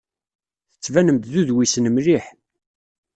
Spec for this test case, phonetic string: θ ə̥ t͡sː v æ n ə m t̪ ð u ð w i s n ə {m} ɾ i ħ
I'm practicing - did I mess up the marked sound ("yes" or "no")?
no